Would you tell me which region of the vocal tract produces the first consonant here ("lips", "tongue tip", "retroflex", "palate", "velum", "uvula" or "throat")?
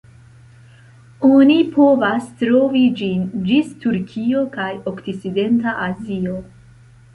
tongue tip